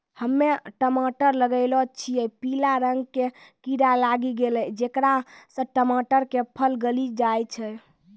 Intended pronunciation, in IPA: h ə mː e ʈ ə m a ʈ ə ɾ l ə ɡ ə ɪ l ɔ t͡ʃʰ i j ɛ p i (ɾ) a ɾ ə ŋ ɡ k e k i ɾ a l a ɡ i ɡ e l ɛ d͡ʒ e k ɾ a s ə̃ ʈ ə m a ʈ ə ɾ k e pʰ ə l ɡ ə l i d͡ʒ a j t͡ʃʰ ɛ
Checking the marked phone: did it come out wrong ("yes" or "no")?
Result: yes